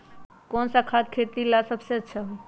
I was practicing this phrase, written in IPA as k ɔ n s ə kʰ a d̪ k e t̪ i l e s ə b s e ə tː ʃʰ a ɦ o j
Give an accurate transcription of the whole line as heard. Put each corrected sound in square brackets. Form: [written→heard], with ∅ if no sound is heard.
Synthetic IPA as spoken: k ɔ n s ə kʰ a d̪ [k→kʰ] e t̪ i l [e→a] s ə b s e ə tː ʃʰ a ɦ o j